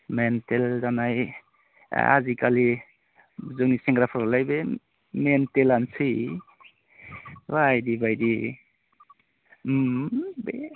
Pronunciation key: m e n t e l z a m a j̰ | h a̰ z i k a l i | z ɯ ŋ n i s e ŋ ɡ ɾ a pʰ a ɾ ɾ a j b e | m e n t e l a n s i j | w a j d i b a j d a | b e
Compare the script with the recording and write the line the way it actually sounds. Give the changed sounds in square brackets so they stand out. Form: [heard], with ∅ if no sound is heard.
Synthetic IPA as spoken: m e n t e l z a [n] a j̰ | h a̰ z i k a l i | z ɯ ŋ n i s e ŋ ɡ ɾ a pʰ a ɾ [l] a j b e | m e n t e l a n s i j | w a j d i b a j d [i] | b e